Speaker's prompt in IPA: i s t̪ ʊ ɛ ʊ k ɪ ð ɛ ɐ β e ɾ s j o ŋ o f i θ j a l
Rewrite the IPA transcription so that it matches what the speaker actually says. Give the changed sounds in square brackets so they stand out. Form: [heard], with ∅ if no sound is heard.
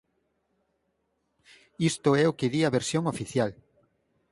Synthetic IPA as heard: i s t̪ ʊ ɛ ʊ k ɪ ð [i] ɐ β e ɾ s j o ŋ o f i θ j a l